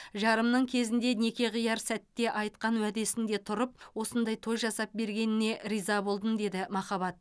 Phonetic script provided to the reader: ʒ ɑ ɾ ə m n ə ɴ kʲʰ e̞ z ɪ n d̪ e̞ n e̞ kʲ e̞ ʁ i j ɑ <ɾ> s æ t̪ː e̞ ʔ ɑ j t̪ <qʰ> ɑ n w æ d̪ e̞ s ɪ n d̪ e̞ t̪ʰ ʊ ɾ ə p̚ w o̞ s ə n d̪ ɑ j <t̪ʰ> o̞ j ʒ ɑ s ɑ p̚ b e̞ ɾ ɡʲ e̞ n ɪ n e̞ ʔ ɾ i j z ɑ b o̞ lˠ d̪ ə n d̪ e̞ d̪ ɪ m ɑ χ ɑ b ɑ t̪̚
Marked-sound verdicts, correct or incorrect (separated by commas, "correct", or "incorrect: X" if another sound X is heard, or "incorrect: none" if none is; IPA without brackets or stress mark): correct, incorrect: q, correct